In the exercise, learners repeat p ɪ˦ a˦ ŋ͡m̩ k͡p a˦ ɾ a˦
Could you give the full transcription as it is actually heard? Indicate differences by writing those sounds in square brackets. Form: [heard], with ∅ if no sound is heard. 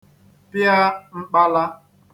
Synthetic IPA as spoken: p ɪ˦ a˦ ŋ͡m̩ k͡p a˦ [l] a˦